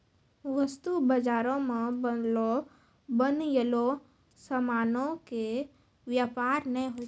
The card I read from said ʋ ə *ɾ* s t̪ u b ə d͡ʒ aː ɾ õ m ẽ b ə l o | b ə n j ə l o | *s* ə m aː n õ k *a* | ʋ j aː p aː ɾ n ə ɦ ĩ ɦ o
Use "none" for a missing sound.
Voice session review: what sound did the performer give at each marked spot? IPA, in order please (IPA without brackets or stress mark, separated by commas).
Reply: none, s, e